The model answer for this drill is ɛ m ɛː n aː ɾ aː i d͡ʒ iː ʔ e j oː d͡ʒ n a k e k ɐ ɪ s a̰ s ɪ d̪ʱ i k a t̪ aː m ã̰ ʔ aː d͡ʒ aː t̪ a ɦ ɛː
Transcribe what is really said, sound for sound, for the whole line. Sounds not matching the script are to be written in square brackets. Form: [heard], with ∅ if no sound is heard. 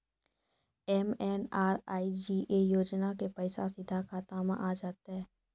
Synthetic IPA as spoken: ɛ m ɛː n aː ɾ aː i d͡ʒ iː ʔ e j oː d͡ʒ n a k e [p] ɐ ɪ s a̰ s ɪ d̪ʱ [a] k a t̪ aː m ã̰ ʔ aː d͡ʒ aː t̪ a ɦ ɛː